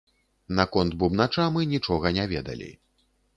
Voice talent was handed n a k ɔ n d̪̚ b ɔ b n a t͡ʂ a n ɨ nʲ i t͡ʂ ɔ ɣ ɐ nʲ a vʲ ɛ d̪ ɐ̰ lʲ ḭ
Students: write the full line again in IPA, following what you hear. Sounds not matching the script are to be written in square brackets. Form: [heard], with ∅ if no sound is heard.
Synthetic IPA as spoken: n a k ɔ n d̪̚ b [u] b n a t͡ʂ a [m] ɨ nʲ i t͡ʂ ɔ ɣ ɐ nʲ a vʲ ɛ d̪ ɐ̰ lʲ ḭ